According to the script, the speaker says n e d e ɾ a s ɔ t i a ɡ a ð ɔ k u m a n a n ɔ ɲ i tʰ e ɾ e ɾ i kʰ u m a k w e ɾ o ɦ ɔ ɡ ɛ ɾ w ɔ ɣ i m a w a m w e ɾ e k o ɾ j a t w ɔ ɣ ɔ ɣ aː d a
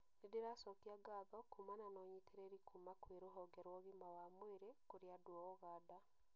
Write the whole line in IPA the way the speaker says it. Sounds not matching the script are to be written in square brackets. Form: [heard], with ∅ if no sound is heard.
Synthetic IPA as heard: n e d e ɾ a s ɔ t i a ɡ a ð ɔ k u m a n a n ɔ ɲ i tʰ e ɾ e ɾ i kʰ u m a k w e ɾ o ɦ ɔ ɡ ɛ ɾ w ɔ ɣ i m a w a m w e ɾ e k o ɾ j a [d] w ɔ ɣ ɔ ɣ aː d a